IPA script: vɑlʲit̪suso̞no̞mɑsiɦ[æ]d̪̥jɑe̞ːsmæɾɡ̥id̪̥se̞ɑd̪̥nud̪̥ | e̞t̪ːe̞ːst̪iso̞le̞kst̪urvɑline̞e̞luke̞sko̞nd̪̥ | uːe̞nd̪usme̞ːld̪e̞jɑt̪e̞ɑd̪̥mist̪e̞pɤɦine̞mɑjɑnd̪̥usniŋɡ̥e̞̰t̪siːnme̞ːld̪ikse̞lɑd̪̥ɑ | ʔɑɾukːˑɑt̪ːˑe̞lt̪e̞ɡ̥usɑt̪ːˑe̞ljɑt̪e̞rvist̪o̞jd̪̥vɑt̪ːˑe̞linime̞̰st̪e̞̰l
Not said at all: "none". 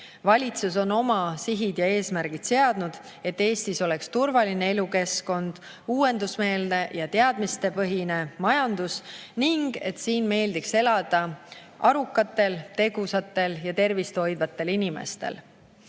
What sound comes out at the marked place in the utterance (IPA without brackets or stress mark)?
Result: i